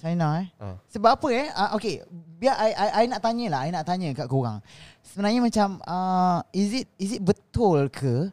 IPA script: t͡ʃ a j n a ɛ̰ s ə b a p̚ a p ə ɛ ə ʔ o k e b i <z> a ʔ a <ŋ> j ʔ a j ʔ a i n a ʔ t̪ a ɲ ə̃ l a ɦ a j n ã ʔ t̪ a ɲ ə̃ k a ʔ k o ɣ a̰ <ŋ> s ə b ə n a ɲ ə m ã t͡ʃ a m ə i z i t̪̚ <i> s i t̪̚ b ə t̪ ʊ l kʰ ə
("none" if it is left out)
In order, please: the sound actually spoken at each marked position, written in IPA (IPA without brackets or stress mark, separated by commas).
none, none, ŋ, i